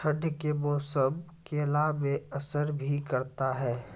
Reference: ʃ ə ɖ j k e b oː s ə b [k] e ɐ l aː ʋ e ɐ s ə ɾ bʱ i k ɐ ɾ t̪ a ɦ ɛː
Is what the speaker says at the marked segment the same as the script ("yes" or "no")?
yes